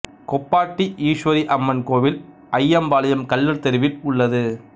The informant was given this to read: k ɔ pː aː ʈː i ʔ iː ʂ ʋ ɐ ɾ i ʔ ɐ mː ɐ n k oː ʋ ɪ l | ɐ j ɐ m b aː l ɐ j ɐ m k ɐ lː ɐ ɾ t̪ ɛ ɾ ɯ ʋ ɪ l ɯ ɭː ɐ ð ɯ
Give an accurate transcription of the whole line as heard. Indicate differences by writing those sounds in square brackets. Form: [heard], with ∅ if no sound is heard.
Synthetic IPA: k ɔ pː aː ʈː i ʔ iː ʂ ʋ ɐ ɾ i ʔ ɐ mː ɐ n k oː ʋ ɪ l | ɐ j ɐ m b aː l ɐ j ɐ m k ɐ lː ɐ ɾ t̪ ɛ ɾ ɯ ʋ ɪ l [ʊ] ɭː ɐ ð ɯ